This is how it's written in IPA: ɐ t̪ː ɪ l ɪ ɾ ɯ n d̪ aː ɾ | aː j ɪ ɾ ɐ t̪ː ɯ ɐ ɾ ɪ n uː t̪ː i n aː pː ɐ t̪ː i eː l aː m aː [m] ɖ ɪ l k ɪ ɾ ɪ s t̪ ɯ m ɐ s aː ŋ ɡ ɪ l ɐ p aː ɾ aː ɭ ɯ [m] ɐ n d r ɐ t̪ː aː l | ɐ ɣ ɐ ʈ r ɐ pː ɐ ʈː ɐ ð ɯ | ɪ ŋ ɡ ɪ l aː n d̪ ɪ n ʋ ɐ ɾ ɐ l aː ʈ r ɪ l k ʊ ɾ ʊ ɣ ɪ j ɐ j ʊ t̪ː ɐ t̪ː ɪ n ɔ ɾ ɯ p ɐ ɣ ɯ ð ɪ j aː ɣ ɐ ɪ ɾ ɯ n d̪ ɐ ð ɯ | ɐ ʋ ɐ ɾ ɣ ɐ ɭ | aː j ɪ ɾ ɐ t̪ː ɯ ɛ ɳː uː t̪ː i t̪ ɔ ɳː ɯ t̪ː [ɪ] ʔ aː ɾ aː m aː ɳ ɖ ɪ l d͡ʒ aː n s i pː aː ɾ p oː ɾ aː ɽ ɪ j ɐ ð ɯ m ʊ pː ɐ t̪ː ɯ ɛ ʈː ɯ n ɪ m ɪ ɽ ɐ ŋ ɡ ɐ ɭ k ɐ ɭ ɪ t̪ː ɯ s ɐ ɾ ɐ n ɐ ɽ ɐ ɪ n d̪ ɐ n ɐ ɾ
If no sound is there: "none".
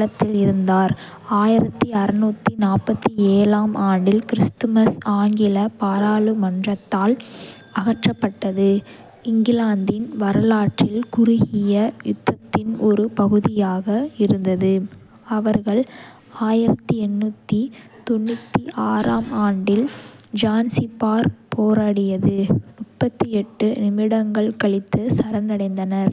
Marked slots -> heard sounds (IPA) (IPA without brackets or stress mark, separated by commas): ɳ, m, i